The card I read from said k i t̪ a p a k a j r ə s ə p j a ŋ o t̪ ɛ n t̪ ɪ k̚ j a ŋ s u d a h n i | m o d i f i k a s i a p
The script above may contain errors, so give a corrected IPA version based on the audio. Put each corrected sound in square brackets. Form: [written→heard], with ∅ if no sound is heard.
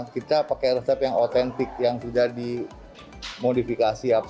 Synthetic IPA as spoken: k i t̪ a p a k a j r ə s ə p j a ŋ o t̪ ɛ n t̪ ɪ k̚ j a ŋ s u d a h [n→d] i | m o d i f i k a s i a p